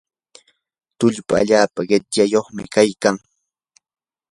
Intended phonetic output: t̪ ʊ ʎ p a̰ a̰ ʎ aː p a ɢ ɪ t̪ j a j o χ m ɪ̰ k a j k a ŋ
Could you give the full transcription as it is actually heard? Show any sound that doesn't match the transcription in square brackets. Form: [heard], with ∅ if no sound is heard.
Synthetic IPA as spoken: t̪ ʊ ʎ p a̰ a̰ ʎ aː p a ɢ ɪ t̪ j a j o χ m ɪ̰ k a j k a ŋ